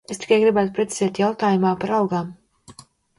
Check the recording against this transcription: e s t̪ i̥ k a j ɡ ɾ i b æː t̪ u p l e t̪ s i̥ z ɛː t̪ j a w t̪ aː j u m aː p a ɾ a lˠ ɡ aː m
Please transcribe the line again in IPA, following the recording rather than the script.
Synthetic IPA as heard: e s t̪ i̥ k a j ɡ ɾ i b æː t̪ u p ɾ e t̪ s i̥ z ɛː t̪ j a w t̪ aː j u m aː p a ɾ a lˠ ɡ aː m

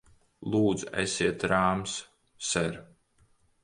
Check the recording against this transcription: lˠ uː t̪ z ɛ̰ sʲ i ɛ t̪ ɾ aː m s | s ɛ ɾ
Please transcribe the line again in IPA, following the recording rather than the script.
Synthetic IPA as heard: lˠ uː d̪ z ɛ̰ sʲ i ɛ t̪ ɾ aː m s | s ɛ ɾ

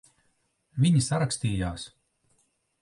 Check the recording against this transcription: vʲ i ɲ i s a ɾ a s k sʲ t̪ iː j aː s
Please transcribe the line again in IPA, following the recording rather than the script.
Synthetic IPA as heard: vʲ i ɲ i s a ɾ a k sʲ t̪ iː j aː s

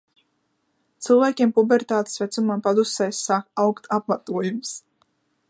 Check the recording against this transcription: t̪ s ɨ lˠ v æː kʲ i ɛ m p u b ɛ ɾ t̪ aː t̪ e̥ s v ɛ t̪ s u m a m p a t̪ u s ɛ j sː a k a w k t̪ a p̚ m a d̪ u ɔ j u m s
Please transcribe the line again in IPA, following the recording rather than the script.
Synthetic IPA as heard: t̪ s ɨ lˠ v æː kʲ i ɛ m p u b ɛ ɾ t̪ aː t̪ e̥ s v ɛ t̪ s u m a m p a d̪ u s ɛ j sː a k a w k t̪ a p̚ m a t̪ u ɔ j u m s

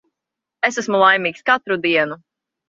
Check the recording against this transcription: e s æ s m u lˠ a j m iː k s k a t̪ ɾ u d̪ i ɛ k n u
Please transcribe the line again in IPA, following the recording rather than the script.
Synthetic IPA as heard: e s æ s m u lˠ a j m iː k s k a t̪ ɾ u d̪ i ɛ n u

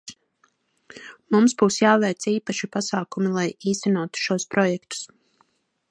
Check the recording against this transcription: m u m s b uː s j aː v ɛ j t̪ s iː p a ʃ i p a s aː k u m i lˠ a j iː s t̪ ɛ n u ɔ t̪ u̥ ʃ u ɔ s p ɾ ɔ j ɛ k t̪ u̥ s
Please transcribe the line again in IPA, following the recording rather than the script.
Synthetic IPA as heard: m u m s b uː s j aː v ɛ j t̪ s iː p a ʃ i p a s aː k u m i lˠ a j iː s t̪ ɛ n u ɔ t̪ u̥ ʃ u ɔ s p ɾ ɔ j ɛ k t̪ u̥ s

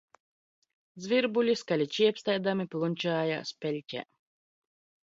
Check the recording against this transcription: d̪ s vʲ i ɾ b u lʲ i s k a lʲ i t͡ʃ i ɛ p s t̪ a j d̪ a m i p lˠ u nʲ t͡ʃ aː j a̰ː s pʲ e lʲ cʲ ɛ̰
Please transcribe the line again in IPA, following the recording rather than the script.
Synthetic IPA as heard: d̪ z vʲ i ɾ b u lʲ i s k a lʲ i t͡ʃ i ɛ p s t̪ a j d̪ a m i p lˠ u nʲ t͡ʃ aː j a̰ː s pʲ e lʲ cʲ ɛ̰

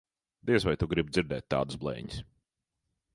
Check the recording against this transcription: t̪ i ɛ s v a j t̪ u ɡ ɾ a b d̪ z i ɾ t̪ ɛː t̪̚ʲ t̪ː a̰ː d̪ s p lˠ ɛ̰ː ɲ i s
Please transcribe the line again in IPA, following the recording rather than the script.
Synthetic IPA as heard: d̪ i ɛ s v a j t̪ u ɡ ɾ i b d̪ z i ɾ d̪ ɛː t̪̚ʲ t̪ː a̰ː d̪ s b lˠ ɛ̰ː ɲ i s

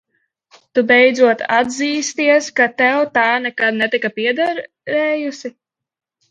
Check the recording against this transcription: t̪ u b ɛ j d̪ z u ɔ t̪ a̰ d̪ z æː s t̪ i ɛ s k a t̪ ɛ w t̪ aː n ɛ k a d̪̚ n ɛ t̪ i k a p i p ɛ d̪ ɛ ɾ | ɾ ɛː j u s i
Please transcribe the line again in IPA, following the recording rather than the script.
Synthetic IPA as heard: t̪ u b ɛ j d̪ z u ɔ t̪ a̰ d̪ z iː s t̪ i ɛ s k a t̪ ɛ w t̪ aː n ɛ k a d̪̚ n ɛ t̪ i k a p i ɛ d̪ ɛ ɾ | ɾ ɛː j u s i

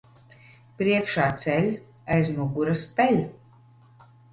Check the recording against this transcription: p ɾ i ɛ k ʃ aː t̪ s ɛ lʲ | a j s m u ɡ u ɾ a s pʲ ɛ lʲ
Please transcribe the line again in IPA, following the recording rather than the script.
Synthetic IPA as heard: p ɾ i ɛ k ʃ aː t̪ s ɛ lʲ | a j z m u ɡ u ɾ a s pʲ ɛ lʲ

